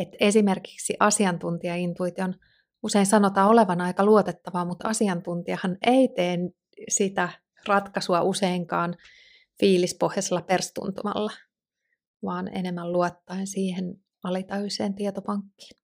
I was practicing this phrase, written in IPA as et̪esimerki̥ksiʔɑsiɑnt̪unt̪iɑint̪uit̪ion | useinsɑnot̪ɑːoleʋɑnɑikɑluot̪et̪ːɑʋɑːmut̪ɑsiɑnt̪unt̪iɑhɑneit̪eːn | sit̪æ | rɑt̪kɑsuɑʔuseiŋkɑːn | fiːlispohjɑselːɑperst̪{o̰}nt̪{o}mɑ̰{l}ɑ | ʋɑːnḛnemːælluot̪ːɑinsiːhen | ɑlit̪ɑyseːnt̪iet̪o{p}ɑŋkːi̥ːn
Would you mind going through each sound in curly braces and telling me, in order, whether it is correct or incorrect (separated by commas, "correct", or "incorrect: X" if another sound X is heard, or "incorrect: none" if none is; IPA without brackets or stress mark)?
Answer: incorrect: ṵ, incorrect: u, incorrect: lː, correct